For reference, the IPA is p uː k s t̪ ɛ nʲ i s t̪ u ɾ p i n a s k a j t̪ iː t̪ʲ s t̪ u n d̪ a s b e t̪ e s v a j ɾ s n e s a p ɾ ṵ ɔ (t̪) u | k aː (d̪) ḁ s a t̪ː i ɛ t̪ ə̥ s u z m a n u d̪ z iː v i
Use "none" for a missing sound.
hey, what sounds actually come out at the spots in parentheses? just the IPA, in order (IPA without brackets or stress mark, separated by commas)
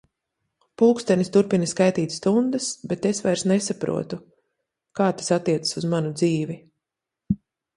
t̪, t̪